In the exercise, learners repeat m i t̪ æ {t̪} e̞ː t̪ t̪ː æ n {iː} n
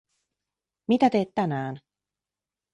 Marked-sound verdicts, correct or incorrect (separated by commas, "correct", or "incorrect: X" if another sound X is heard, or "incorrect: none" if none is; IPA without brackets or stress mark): correct, incorrect: æː